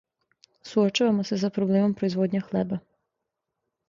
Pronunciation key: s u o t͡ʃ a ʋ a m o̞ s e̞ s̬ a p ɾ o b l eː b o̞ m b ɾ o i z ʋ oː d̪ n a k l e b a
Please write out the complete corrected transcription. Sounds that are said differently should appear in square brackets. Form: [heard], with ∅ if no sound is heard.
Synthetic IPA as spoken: s u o t͡ʃ a ʋ a m o̞ s e̞ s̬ a p ɾ o b l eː [m] o̞ m [p] ɾ o i z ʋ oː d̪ [ɲ] a [x] l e b a

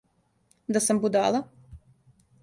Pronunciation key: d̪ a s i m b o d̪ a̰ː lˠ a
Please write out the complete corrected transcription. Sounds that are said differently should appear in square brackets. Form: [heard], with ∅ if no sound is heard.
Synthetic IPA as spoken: d̪ a s [a] m b [u] d̪ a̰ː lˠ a

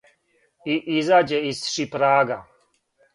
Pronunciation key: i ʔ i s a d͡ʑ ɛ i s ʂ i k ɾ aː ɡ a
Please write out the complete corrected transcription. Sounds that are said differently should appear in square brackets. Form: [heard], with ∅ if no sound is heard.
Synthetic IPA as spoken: i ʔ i [z] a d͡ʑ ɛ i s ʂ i [p] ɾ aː ɡ a

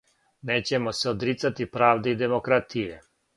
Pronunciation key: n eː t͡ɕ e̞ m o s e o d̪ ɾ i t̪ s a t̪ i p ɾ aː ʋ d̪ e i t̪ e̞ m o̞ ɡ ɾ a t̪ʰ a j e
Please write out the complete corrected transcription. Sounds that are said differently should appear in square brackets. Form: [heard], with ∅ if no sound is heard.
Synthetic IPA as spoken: n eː t͡ɕ e̞ m o s e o d̪ ɾ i t̪ s a t̪ i p ɾ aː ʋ d̪ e i [d̪] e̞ m o̞ [k] ɾ a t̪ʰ [i] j e

